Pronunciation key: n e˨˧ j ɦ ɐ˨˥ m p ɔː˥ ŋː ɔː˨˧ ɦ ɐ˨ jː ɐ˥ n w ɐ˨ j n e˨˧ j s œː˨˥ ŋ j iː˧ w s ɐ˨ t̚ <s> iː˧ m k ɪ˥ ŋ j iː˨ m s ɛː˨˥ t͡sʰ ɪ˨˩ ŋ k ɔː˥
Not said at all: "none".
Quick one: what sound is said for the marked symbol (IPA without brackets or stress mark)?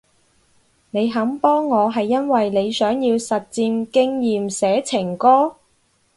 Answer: t͡s